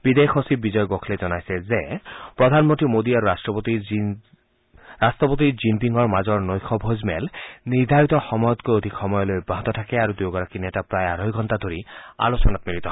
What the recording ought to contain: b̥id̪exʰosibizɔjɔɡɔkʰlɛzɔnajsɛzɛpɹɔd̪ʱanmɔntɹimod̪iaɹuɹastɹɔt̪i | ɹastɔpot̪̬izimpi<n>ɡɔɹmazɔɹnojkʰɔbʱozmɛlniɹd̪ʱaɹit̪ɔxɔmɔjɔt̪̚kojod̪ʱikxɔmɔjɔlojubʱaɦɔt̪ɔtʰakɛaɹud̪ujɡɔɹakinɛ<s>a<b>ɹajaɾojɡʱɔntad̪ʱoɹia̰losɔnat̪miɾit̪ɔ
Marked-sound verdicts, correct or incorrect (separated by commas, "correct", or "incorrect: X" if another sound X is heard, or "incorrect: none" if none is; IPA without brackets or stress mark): incorrect: ŋ, incorrect: t, incorrect: p